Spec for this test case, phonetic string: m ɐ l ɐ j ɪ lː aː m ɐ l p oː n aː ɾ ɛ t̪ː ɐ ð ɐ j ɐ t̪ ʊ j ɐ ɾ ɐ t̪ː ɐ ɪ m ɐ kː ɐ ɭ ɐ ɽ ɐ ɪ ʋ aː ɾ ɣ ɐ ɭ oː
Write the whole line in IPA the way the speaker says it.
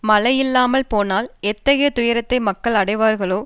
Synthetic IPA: m ɐ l ɐ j ɪ lː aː m ɐ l p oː n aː l ɛ t̪ː ɐ ɣ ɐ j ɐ t̪ ʊ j ɐ ɾ ɐ t̪ː ɐ ɪ m ɐ kː ɐ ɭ ɐ ɽ ɐ ɪ ʋ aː ɾ ɣ ɐ ɭ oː